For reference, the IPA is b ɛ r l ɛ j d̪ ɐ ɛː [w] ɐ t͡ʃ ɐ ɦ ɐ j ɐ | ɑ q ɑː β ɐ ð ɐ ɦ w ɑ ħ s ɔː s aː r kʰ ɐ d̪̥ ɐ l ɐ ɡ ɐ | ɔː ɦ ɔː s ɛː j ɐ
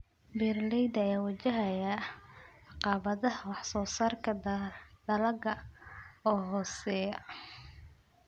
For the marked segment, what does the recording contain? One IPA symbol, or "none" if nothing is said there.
w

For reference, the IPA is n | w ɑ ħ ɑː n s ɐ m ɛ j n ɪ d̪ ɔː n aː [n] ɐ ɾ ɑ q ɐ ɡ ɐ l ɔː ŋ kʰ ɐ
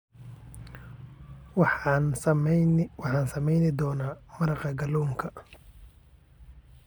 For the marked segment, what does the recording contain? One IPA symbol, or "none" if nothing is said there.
m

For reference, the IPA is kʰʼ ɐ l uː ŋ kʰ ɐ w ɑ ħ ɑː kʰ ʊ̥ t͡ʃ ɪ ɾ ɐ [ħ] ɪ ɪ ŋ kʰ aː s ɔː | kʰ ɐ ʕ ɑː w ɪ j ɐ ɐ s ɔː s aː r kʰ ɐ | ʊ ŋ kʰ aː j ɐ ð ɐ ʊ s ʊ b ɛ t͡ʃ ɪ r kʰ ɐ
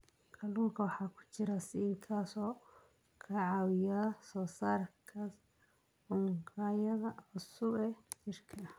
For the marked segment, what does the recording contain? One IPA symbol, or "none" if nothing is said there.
s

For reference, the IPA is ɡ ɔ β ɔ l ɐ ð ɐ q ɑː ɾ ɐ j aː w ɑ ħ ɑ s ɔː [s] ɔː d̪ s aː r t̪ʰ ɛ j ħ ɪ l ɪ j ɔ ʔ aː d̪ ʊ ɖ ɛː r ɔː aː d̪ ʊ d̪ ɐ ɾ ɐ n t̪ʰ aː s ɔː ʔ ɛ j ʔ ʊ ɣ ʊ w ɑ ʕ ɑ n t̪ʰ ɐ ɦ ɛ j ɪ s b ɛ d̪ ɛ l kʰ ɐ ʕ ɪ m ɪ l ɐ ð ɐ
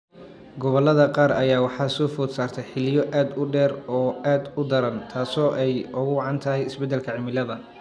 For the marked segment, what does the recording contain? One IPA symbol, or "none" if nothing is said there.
f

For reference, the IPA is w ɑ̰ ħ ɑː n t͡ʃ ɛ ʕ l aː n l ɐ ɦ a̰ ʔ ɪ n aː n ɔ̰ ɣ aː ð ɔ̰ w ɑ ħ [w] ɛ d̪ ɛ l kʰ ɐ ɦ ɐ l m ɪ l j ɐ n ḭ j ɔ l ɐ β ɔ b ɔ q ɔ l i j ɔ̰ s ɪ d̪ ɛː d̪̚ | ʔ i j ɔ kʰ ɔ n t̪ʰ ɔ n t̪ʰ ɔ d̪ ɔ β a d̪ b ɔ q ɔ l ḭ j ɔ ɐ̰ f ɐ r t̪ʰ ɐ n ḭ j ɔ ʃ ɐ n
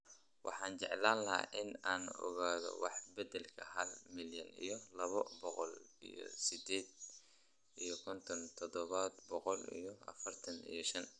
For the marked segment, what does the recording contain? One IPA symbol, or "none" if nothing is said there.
b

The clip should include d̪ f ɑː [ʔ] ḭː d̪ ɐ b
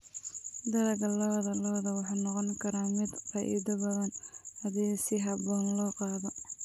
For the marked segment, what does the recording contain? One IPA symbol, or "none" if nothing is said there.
ʔ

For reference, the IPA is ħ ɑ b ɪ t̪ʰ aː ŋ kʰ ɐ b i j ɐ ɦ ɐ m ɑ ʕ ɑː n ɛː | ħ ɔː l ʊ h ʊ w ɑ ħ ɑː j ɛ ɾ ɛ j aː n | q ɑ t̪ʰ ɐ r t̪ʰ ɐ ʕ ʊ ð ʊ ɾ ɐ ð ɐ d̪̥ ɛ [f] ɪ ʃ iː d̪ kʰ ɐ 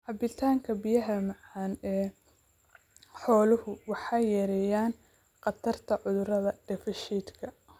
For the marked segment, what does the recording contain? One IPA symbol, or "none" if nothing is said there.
f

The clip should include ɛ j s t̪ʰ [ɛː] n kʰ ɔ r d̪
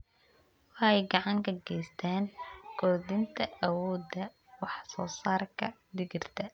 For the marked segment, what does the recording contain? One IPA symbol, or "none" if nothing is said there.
aː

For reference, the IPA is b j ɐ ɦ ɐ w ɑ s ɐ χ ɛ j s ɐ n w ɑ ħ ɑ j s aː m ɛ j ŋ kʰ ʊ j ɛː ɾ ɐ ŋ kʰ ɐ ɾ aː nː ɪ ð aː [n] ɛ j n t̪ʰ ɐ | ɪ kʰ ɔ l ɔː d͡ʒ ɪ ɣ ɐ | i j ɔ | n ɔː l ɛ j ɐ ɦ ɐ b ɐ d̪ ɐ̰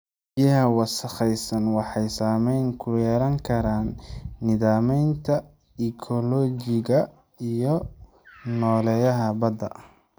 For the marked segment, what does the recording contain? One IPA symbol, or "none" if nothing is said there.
m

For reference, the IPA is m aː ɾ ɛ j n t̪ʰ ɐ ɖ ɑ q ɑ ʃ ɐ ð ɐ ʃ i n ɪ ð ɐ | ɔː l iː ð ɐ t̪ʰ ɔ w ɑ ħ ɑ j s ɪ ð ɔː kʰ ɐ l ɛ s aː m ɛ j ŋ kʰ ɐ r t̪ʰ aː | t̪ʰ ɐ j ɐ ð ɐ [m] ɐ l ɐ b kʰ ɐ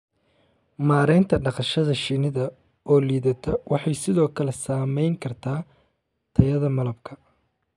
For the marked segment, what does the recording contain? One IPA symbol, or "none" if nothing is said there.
m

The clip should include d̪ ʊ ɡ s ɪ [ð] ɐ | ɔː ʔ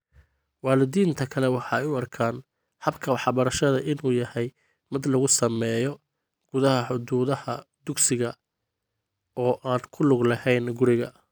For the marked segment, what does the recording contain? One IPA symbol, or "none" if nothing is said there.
ɣ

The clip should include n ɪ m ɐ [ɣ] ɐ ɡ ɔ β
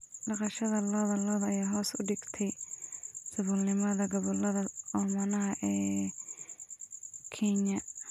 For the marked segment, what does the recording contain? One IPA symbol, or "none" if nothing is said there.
ð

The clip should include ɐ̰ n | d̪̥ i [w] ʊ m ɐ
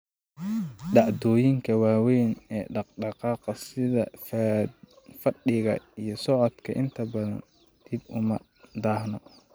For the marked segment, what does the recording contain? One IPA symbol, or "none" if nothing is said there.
b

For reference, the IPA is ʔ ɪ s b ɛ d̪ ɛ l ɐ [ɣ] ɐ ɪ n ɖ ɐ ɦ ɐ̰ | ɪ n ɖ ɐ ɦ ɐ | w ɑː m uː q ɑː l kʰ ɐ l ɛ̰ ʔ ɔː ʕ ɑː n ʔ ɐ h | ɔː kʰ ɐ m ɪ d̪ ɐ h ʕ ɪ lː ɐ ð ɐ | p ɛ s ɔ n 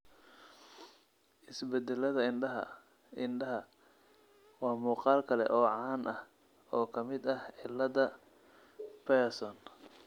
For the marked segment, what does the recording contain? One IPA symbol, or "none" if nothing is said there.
ð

